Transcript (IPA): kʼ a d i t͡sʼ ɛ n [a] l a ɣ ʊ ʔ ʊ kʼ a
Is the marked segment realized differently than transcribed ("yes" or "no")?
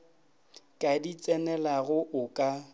yes